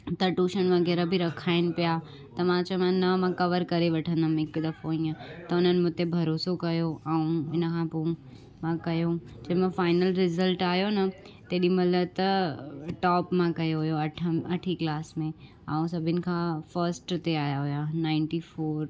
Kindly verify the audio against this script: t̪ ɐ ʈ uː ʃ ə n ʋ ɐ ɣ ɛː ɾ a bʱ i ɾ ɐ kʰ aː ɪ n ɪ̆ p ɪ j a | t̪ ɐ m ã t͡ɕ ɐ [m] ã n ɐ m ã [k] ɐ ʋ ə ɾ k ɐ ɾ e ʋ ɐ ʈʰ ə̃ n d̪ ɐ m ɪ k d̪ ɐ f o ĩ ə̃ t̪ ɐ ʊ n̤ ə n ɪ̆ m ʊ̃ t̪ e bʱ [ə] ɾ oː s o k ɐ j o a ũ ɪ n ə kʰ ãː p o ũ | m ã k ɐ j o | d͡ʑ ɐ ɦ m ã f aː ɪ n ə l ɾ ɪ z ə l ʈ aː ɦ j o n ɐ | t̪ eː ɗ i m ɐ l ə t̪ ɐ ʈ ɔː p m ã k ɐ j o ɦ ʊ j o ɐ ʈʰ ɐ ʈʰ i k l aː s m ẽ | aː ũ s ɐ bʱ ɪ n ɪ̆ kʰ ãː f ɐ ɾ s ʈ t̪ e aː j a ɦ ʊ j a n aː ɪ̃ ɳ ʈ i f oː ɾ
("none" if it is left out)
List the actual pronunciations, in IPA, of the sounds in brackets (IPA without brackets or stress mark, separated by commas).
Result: m, k, ɐ